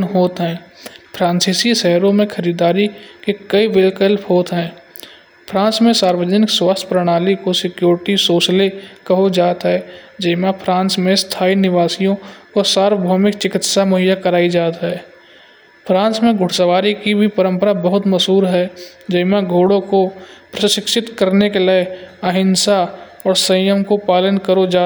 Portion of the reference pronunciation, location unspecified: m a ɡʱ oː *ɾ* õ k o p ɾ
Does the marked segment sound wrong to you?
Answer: yes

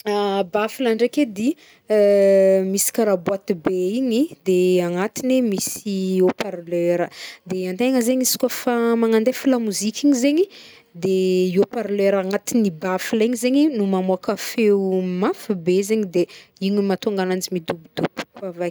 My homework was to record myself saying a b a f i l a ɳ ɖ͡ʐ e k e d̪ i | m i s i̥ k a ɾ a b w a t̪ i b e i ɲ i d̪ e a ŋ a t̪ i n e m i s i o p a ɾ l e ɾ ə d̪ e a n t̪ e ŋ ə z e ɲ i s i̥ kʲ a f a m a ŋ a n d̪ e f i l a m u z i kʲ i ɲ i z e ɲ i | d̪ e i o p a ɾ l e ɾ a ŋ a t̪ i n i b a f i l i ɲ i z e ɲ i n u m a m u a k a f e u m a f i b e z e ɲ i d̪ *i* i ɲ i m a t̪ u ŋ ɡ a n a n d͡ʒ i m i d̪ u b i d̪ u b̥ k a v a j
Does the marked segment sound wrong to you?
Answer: yes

